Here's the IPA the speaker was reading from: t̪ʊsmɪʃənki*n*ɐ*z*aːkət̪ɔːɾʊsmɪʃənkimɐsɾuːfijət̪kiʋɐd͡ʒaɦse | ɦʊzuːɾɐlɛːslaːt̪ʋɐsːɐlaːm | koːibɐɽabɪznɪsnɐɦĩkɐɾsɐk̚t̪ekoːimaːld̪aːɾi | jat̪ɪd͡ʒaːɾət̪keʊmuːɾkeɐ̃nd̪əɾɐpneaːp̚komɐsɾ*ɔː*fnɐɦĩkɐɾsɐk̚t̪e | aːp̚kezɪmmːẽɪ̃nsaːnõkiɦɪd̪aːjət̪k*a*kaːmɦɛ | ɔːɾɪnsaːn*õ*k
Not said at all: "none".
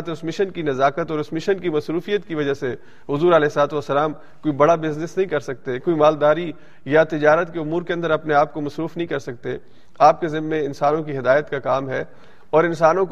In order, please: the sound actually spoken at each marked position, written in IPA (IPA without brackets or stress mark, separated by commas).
n, z, uː, a, õ